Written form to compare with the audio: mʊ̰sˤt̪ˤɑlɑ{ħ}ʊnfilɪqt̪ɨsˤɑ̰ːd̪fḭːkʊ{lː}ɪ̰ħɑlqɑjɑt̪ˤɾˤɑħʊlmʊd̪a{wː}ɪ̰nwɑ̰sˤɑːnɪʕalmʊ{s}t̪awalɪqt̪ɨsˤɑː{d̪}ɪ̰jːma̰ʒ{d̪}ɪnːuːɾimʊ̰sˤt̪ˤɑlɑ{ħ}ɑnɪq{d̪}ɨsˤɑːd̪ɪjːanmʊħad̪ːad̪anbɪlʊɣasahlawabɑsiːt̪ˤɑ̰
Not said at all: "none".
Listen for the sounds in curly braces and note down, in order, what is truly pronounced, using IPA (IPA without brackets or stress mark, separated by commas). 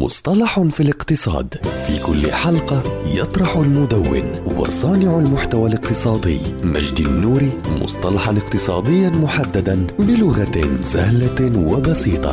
ħ, lː, wː, ħ, d̪, d̪, ħ, t̪